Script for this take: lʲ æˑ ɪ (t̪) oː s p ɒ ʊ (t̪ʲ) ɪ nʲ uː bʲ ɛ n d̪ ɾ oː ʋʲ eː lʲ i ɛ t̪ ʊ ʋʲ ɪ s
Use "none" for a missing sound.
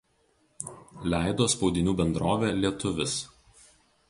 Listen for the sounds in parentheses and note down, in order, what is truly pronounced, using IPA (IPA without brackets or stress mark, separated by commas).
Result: d̪, d̪ʲ